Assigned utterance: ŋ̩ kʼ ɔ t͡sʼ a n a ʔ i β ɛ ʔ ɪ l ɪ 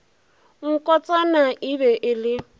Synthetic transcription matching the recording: ŋ̩ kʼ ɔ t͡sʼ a n a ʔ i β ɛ ʔ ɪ l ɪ